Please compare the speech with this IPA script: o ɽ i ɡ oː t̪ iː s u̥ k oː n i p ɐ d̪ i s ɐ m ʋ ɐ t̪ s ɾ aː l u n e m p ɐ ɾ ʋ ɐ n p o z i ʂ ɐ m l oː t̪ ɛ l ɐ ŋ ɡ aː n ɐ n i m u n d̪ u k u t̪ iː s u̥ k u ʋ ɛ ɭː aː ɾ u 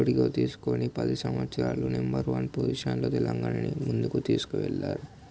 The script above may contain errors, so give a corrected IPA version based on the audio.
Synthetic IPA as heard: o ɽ i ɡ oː t̪ iː s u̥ k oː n i p ɐ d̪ i s ɐ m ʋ ɐ t̪ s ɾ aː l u n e m b ɐ ɾ ʋ ɐ n p o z i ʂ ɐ n l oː t̪ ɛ l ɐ ŋ ɡ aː n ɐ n i m u n d̪ u k u t̪ iː s u̥ k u ʋ ɛ ɭː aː ɾ u